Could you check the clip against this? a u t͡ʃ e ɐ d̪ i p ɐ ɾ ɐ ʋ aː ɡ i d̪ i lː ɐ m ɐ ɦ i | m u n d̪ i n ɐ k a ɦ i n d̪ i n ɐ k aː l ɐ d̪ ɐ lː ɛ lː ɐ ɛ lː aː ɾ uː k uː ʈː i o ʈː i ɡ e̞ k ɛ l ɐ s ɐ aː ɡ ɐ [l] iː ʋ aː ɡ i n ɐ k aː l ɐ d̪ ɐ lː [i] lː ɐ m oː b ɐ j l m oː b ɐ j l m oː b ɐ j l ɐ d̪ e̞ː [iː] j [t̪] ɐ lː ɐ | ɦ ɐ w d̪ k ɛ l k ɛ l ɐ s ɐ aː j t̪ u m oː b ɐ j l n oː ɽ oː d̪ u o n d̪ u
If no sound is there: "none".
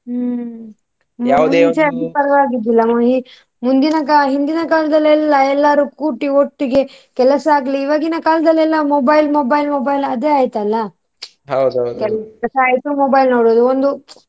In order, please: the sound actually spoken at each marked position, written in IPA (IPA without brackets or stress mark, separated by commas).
l, ɛ, aː, t̪